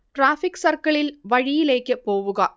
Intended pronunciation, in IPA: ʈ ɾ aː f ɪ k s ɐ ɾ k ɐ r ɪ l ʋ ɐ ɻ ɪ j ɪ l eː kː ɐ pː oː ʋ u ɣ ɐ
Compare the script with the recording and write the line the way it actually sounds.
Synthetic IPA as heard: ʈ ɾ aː f ɪ k s ɐ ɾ k ɐ ɭ ɪ l ʋ ɐ ɻ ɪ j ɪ l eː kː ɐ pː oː ʋ ɯ ɣ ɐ